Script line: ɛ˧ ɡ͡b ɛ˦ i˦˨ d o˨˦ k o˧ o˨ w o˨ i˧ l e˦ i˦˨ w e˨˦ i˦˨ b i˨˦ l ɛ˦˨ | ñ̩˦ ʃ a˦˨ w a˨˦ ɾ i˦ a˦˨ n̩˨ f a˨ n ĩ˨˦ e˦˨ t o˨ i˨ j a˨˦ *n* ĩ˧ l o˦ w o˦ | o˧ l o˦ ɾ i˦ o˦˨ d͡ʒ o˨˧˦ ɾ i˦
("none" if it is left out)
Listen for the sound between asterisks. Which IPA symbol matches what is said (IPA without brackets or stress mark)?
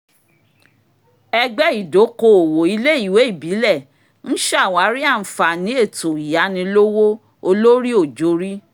n